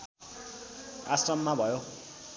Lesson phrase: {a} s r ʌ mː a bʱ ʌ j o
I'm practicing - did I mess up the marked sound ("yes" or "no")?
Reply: no